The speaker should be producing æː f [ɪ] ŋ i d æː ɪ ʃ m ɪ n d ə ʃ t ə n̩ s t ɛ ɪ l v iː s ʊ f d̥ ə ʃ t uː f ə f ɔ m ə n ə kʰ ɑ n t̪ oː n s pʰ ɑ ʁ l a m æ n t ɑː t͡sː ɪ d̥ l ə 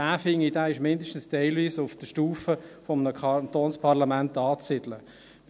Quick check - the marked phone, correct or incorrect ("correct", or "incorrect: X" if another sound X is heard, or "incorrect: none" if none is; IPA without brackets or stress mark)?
correct